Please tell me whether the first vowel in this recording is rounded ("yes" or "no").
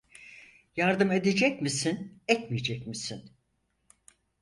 no